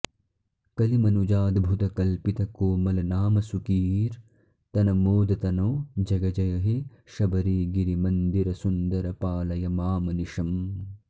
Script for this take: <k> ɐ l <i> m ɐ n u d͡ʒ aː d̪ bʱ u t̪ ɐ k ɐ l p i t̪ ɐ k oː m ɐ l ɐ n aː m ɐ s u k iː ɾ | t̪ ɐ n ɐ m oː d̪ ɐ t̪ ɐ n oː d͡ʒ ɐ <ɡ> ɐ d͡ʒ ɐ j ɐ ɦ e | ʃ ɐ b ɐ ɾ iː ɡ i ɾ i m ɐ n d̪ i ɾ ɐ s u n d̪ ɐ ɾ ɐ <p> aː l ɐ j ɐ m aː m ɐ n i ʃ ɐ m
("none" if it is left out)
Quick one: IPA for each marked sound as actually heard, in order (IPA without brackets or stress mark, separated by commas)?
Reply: k, i, ɡ, p